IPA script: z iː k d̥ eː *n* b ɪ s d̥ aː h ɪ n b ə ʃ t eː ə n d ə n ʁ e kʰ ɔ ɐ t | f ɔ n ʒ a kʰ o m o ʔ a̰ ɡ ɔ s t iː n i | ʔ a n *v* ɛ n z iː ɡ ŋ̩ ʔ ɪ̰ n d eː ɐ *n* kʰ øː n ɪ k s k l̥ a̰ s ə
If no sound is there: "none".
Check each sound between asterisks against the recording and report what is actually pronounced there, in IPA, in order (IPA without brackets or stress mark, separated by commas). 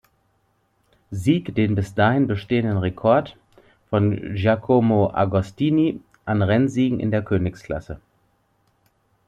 n, ʁ, none